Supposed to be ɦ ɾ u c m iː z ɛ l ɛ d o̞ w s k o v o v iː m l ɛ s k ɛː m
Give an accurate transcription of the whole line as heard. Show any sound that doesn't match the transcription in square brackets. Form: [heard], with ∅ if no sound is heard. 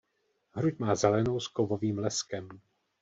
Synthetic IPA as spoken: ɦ ɾ u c m [aː] z ɛ l ɛ [n] o̞ w s k o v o v iː m l ɛ s k [ɛ] m